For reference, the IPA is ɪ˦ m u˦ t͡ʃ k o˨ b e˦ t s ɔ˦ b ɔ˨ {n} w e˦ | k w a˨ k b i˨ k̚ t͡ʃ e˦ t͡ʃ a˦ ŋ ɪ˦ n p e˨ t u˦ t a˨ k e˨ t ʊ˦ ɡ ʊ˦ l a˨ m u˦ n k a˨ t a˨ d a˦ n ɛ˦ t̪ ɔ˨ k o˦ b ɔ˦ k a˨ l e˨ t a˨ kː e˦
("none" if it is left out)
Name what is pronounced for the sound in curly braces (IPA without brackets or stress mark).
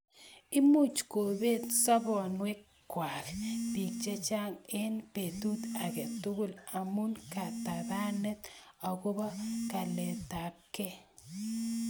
n